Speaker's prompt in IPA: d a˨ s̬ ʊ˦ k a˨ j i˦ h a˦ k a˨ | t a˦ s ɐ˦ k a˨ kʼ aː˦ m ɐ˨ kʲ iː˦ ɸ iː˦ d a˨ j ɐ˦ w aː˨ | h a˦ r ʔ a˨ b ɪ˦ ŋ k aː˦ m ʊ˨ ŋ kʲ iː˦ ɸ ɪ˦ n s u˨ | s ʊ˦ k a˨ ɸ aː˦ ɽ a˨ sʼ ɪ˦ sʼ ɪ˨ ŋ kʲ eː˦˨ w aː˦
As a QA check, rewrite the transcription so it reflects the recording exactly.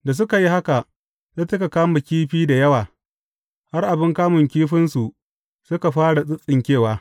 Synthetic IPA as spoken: d a˨ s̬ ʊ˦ k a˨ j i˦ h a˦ k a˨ | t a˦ t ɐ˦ k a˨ k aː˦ m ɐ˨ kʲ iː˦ ɸ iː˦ d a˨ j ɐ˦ w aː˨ | h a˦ r ʔ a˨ b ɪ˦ ŋ k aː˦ m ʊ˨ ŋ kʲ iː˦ ɸ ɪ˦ n s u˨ | s ʊ˦ k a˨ ɸ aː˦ ɽ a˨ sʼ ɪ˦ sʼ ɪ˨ ŋ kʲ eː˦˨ w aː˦